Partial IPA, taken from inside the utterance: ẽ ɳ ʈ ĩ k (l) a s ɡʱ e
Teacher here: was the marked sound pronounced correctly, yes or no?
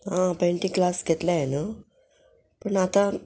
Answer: yes